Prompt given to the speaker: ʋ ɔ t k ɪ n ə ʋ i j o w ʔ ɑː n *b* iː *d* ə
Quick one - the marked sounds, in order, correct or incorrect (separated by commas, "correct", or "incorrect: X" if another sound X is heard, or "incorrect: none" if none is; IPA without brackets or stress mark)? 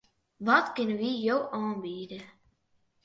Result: correct, correct